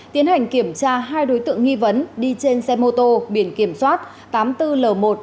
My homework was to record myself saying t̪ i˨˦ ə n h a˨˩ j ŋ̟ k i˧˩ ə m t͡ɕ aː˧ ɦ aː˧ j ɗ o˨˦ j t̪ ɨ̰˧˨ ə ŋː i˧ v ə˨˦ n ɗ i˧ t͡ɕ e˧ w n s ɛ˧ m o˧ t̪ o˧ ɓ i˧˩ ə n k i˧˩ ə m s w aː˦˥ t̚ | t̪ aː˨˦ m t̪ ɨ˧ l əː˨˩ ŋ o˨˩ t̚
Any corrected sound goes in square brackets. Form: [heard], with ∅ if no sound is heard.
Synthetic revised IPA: t̪ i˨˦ ə n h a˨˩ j ŋ̟ k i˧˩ ə m t͡ɕ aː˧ ɦ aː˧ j ɗ o˨˦ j t̪ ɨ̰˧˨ ə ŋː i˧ v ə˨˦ n ɗ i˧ t͡ɕ e˧ [∅] n s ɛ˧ m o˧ t̪ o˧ ɓ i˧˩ ə n k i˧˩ ə m s w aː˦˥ t̚ | t̪ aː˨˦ m t̪ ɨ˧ l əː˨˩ [m] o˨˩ t̚